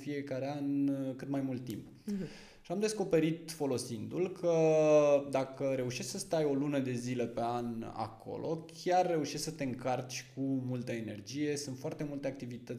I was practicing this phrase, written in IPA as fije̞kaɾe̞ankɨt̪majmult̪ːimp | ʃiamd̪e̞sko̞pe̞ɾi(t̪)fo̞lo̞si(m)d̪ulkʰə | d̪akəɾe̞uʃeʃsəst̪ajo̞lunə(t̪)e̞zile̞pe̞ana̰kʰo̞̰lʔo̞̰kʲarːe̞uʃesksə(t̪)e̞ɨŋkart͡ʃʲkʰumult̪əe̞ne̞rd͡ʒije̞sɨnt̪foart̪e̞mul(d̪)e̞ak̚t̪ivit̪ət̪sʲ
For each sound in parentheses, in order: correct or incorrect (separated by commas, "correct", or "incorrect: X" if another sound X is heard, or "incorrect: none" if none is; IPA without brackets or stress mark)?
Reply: correct, incorrect: n, incorrect: d̪, correct, incorrect: t̪